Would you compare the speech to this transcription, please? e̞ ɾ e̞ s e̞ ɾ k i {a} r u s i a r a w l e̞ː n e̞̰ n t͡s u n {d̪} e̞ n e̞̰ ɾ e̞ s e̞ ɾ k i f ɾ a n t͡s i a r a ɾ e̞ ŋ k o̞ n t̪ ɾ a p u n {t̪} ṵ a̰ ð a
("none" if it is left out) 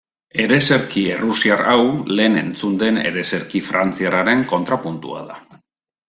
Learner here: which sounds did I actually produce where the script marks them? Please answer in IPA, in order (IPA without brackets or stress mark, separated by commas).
e, d̪, t̪